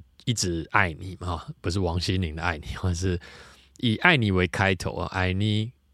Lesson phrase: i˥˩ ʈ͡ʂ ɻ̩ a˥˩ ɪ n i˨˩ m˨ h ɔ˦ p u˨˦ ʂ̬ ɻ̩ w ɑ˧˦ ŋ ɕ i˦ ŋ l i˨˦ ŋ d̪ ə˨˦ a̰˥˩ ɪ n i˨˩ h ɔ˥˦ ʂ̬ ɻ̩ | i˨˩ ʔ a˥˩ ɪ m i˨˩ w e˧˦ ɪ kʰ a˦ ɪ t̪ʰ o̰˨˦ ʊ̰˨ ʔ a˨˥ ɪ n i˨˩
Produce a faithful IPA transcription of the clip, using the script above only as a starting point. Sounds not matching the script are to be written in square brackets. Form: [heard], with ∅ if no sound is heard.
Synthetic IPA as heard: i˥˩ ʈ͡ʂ ɻ̩ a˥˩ ɪ n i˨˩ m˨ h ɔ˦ p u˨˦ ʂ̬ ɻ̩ w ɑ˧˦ ŋ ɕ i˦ [n] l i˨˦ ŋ d̪ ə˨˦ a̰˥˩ ɪ n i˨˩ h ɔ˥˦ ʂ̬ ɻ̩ | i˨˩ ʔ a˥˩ ɪ [n] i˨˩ w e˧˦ ɪ kʰ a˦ ɪ t̪ʰ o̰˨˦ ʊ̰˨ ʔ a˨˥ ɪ n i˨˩